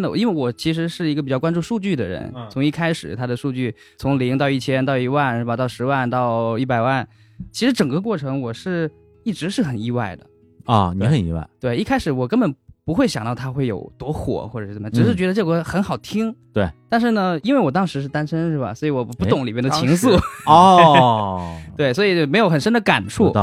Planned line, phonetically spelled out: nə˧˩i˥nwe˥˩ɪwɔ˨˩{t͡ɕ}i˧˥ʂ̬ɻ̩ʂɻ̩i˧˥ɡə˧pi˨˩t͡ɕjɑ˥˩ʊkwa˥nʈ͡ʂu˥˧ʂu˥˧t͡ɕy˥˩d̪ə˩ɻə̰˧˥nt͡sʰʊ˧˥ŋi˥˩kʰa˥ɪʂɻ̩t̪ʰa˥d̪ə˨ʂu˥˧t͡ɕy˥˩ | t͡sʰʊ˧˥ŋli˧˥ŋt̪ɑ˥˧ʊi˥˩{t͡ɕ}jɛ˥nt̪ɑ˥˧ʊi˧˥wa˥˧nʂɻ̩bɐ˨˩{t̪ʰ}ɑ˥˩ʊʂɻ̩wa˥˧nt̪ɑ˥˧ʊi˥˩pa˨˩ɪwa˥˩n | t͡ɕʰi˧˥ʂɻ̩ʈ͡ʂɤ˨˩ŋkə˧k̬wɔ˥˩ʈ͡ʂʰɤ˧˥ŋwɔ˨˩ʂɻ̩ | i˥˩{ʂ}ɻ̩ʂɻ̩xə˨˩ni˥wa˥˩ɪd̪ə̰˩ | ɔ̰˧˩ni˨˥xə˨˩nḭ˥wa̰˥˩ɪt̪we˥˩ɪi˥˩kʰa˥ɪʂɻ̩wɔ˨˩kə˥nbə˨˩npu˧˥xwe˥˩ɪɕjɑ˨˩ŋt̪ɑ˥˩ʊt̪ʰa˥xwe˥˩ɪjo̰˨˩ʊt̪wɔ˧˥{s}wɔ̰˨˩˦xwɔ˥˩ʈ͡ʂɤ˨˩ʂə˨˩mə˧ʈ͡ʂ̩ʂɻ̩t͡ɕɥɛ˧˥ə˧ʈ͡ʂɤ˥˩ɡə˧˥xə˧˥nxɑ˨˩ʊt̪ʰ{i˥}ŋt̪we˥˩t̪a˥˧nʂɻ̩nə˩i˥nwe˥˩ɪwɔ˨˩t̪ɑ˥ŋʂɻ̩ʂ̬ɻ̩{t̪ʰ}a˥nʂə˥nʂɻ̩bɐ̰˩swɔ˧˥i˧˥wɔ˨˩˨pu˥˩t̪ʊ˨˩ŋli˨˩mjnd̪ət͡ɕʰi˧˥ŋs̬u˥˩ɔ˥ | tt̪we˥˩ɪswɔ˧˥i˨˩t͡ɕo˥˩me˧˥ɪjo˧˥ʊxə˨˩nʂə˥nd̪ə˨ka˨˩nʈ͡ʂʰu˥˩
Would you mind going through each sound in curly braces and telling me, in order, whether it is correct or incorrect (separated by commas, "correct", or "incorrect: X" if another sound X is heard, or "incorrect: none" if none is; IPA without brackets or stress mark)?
incorrect: t͡ɕʰ, incorrect: t͡ɕʰ, incorrect: t̪, incorrect: ʈ͡ʂ, incorrect: x, correct, incorrect: t̪